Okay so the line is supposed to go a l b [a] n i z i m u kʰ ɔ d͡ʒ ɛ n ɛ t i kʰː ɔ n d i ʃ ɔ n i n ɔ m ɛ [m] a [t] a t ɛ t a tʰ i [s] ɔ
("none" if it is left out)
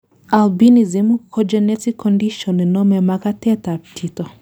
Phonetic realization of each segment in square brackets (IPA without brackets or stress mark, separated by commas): i, m, k, t